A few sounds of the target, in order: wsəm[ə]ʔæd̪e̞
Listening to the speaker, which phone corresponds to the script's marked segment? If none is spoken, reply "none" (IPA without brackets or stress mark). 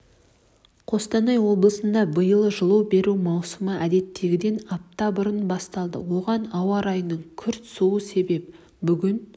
ə